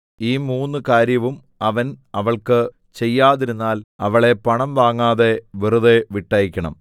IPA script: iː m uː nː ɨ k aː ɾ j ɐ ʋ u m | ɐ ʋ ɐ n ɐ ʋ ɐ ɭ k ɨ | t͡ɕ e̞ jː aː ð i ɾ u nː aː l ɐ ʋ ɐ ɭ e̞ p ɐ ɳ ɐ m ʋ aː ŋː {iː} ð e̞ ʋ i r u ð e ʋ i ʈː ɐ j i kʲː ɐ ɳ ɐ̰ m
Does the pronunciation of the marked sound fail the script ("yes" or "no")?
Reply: yes